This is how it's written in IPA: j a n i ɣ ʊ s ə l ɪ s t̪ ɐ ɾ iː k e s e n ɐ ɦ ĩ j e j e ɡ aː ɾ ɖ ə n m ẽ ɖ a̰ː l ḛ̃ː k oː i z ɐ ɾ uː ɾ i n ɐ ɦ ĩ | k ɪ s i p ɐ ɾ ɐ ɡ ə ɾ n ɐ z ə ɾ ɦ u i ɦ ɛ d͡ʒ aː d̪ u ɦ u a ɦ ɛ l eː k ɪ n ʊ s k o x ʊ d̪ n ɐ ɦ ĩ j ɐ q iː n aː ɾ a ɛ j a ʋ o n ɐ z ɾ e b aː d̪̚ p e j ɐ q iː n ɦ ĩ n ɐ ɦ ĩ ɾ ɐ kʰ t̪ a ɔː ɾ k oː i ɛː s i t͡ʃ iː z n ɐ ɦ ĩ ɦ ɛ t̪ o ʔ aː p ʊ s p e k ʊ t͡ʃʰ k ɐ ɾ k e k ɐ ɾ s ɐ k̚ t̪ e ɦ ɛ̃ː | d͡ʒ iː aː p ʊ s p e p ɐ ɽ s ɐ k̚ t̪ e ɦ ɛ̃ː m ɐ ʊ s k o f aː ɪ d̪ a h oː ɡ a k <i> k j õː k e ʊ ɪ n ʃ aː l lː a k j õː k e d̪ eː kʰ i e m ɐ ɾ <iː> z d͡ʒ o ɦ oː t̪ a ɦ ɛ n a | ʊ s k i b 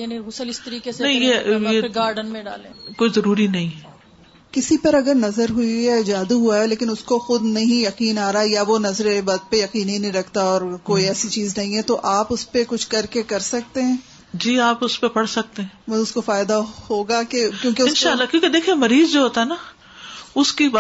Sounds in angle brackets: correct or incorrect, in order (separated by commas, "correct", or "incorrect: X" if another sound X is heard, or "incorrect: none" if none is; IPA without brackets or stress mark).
incorrect: e, correct